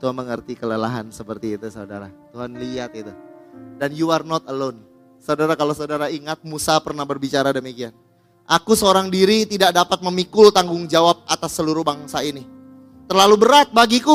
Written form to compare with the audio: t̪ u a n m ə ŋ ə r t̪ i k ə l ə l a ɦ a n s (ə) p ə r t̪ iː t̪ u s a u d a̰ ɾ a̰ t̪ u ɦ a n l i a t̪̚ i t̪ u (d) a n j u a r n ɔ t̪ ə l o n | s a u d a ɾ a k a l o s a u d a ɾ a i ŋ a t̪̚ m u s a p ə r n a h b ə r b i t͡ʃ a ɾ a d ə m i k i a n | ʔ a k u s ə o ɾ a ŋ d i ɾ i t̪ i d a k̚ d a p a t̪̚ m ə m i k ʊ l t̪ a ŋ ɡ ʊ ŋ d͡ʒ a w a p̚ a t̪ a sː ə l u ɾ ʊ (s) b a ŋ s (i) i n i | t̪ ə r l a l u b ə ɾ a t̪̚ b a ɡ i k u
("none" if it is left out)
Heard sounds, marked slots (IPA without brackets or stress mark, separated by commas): ə, d, h, a